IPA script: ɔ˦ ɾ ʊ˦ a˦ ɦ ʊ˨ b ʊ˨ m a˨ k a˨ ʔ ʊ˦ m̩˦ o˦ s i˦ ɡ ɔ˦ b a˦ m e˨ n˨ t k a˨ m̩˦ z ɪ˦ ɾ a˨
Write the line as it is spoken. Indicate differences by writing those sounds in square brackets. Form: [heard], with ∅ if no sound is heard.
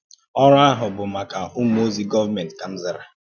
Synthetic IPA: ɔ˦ ɾ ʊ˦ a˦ ɦ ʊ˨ b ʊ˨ m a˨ k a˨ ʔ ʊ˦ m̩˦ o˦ [z] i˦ ɡ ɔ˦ [v] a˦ m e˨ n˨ t k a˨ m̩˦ z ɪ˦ ɾ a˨